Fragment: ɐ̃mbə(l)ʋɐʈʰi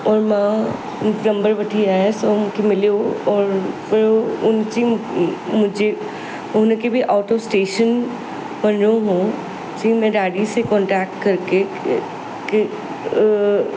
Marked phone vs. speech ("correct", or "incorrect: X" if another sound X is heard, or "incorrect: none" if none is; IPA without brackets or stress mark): incorrect: ɾ